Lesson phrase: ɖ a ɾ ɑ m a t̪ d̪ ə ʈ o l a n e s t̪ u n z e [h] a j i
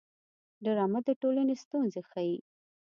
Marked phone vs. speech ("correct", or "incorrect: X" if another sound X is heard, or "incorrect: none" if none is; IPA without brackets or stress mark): incorrect: x